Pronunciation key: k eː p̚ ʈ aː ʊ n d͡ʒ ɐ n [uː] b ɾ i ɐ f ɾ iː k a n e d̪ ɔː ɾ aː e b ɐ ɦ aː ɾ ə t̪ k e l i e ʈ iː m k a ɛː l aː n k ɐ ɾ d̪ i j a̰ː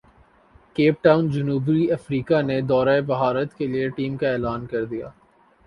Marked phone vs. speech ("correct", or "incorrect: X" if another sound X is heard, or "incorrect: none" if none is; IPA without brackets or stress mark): correct